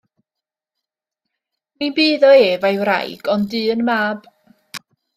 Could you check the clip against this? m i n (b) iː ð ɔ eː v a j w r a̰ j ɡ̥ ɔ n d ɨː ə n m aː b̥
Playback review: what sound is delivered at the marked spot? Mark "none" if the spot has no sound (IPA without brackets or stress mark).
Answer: b